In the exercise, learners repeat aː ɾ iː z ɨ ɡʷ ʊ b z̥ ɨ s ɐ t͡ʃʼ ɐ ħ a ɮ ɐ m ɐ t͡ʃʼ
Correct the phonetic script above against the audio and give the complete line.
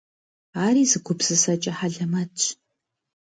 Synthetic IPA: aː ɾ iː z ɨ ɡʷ ʊ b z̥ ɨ s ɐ t͡ʃʼ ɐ ħ a ɮ ɐ m ɐ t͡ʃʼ